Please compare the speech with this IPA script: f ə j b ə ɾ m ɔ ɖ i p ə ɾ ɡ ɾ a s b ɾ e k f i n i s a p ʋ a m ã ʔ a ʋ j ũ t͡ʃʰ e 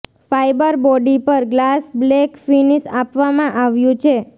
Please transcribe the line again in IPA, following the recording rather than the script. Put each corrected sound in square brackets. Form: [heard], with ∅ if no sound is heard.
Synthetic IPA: f [a] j b ə ɾ [b] ɔ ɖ i p ə ɾ ɡ [l] a s b [l] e k f i n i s a p ʋ a m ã ʔ a ʋ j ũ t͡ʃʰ e